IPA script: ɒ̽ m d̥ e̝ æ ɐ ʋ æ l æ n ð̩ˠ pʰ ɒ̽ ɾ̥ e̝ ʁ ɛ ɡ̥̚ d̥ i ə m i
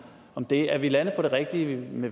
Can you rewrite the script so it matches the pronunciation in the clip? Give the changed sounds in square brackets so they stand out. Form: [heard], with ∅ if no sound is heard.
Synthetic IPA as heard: ɒ̽ m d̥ e̝ æ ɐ ʋ [i] l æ n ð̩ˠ pʰ ɒ̽ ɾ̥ e̝ ʁ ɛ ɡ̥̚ d̥ i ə m [e]